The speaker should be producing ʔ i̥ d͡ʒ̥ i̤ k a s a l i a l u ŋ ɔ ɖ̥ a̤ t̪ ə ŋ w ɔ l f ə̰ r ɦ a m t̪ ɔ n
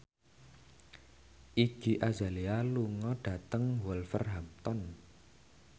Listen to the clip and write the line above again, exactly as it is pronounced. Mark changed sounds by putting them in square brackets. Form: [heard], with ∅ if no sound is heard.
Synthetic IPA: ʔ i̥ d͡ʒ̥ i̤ [ʔ] a [z] a l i a l u ŋ ɔ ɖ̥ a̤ t̪ ə ŋ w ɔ l f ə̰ r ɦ a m t̪ ɔ n